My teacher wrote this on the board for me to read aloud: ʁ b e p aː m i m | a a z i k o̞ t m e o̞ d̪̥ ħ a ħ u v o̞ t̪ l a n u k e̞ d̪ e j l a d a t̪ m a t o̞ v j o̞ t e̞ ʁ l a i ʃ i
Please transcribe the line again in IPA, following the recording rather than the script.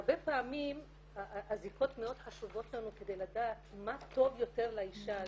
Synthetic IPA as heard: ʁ b e p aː m i m | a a z i k o̞ t m e o̞ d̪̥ ħ a ʃ u v o̞ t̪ l a n u k e̞ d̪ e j l a d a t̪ m a t o̞ v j o̞ t e̞ ʁ l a i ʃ a